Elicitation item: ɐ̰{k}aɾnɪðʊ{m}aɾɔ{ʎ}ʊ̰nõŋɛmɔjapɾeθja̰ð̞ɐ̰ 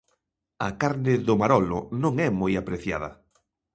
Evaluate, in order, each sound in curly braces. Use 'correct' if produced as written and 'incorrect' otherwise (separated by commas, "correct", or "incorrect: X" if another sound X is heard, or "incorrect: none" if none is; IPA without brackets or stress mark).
correct, correct, incorrect: l